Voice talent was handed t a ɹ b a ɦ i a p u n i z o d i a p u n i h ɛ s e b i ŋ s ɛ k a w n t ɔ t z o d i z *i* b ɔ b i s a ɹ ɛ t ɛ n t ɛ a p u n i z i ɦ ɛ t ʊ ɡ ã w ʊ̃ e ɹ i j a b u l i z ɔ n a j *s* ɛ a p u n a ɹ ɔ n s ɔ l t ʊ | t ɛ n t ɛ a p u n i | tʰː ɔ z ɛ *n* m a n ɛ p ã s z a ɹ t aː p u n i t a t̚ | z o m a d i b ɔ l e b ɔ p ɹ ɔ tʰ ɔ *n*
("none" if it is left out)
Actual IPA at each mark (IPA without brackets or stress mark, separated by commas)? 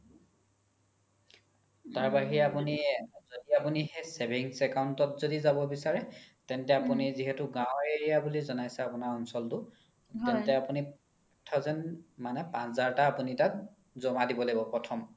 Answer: a, s, n, m